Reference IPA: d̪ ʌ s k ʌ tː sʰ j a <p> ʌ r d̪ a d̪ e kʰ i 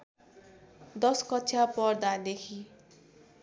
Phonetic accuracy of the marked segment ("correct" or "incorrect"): correct